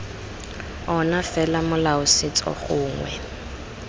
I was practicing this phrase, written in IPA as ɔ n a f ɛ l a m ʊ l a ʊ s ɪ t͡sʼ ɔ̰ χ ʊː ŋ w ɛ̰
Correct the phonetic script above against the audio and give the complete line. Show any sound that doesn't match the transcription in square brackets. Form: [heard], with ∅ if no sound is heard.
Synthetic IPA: ɔ n a f ɛ l a m ʊ l a ʊ s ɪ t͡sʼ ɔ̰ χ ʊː ŋ w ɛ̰